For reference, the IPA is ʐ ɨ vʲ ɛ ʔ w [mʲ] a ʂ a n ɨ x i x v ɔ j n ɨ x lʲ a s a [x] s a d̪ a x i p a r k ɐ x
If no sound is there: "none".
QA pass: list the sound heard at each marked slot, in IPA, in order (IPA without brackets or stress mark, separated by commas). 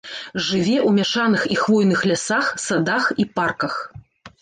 mʲ, x